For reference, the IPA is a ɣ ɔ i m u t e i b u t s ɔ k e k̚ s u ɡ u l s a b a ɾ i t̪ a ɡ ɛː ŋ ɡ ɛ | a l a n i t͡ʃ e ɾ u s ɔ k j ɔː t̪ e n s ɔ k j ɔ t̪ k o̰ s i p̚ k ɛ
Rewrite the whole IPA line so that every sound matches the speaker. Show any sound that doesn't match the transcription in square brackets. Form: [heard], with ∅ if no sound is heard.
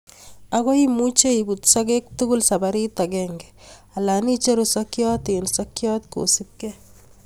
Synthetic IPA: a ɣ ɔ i m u [t͡ʃ] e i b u t s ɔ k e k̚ [t] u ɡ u l s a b a ɾ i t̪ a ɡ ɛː ŋ ɡ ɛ | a l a n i t͡ʃ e ɾ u s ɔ k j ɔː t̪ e n s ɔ k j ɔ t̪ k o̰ s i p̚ k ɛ